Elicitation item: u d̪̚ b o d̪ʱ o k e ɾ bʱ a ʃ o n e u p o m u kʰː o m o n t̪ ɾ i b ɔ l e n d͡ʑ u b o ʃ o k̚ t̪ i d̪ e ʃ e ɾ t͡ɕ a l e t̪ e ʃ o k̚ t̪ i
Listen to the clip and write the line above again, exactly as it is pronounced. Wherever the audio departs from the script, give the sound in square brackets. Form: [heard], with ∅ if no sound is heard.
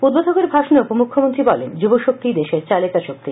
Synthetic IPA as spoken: u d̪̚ b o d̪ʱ o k e ɾ bʱ a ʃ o n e u p o m u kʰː o m o n t̪ ɾ i b ɔ l e n d͡ʑ u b o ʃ o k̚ t̪ i d̪ e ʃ e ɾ t͡ɕ a l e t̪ [a] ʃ o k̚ t̪ i